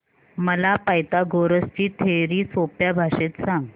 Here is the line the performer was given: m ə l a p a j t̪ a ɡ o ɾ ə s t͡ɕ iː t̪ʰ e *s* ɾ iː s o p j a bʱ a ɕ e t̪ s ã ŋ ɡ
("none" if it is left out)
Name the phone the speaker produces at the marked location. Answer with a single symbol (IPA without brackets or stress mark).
none